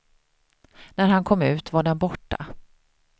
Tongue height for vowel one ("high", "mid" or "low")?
low